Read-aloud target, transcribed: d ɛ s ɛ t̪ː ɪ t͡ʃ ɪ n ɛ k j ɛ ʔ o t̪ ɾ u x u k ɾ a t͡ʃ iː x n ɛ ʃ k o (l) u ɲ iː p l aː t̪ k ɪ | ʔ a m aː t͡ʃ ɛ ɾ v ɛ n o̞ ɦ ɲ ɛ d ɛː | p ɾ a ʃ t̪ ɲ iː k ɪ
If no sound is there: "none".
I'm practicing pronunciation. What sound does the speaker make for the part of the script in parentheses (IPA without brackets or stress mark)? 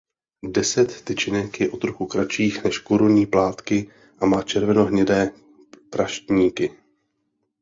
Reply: ɾ